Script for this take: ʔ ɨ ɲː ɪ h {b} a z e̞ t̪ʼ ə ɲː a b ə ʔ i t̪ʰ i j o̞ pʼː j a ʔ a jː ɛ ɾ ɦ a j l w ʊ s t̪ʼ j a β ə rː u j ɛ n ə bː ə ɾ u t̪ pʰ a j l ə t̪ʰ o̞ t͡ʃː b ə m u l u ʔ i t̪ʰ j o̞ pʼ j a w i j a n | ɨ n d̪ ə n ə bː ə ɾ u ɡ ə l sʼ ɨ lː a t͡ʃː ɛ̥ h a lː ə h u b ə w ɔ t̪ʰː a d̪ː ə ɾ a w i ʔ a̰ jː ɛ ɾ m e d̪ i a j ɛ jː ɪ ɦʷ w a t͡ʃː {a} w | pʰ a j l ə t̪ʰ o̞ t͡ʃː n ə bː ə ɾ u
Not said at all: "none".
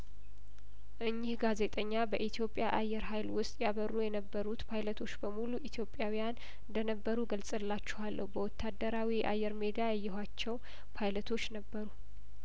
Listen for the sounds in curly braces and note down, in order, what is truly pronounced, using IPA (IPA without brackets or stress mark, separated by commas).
ɡ, ɛ